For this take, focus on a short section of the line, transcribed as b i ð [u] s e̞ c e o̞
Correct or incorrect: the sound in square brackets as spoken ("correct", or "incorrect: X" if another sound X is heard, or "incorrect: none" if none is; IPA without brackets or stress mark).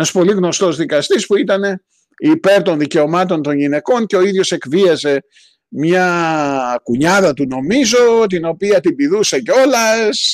correct